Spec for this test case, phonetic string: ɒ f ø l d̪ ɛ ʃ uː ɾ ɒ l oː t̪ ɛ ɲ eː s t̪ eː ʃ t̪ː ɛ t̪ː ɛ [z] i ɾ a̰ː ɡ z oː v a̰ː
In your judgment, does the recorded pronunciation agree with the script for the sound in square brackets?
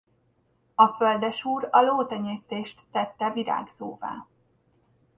no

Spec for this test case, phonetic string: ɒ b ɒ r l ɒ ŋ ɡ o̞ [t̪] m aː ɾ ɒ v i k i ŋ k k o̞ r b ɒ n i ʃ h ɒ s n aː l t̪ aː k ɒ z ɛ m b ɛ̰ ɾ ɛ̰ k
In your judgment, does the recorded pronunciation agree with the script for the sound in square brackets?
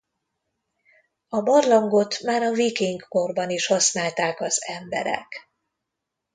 yes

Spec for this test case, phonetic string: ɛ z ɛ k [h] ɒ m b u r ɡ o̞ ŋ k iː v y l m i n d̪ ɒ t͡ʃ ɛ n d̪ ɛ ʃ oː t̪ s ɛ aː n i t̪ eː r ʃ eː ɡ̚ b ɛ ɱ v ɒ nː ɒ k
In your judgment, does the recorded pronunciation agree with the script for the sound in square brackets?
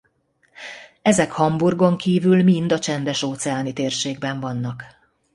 yes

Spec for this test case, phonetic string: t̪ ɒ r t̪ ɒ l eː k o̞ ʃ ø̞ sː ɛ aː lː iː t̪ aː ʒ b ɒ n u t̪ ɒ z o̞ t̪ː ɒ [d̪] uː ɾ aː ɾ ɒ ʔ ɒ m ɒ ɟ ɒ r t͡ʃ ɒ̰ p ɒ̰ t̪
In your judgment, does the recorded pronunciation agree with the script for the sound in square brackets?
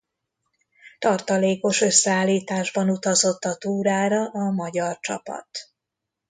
no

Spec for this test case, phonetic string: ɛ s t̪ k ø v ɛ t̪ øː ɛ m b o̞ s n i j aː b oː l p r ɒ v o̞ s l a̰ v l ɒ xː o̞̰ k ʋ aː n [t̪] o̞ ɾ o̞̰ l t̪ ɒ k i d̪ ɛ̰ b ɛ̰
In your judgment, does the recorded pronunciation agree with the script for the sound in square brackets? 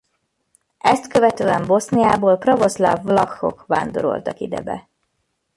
no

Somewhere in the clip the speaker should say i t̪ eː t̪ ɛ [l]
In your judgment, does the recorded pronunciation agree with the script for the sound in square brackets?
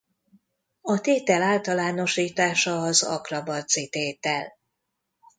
yes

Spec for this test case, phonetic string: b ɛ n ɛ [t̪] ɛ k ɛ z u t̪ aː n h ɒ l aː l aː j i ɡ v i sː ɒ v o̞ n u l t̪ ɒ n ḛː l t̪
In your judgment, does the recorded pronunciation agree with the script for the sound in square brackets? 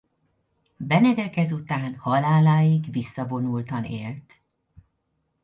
no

